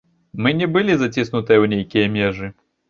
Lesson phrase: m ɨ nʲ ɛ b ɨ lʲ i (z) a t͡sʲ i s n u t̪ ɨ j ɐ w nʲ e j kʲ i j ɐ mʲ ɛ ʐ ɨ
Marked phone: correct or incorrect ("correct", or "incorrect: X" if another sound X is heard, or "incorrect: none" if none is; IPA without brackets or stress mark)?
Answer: correct